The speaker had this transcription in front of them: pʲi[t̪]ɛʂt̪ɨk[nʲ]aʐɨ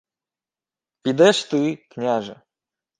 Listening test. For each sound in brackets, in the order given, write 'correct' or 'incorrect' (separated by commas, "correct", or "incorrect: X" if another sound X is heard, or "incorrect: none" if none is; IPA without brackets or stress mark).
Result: incorrect: d̪, correct